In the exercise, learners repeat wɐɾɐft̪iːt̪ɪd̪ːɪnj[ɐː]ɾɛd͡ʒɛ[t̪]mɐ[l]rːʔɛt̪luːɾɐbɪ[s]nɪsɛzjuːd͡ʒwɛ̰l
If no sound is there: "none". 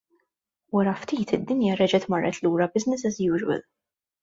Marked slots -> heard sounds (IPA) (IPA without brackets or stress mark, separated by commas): ɐ, t̪, none, z